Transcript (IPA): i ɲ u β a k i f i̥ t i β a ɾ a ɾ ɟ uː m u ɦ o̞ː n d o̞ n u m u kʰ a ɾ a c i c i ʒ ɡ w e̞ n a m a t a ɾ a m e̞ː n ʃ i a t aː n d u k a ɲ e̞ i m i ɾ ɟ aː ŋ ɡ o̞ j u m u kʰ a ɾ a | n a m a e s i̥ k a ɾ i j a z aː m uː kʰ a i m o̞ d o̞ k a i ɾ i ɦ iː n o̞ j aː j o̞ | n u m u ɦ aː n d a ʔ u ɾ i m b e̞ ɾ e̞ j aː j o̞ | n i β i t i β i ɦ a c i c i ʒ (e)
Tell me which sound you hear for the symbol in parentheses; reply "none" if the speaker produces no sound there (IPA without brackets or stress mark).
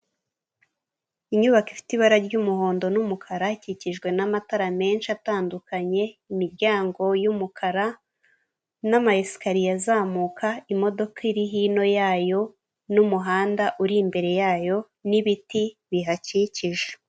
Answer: e